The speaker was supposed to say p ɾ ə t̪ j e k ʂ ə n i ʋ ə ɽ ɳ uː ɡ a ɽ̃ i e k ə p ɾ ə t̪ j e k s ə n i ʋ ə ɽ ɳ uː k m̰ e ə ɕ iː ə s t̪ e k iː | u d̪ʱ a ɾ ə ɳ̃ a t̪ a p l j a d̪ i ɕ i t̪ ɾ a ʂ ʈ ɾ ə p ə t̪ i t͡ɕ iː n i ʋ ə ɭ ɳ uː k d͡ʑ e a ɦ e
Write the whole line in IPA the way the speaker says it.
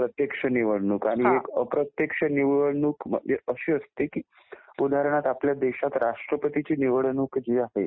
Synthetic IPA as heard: p ɾ ə t̪ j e k ʂ ə n i ʋ ə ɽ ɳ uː k a ɽ̃ i e k ə p ɾ ə t̪ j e k ʂ ə n i ʋ ə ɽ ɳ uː k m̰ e ə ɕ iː ə s t̪ e k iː | u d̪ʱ a ɾ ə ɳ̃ a t̪ a p l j a d̪ e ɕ a t̪ ɾ a ʂ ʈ ɾ ə p ə t̪ i t͡ɕ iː n i ʋ ə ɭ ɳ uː k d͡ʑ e a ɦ e